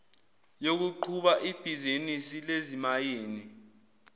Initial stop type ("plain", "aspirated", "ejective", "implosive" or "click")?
plain